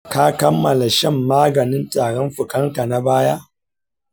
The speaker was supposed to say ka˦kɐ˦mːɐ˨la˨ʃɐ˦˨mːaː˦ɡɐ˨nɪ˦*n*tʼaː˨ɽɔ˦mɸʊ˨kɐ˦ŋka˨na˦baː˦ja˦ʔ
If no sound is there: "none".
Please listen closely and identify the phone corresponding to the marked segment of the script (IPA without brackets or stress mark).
n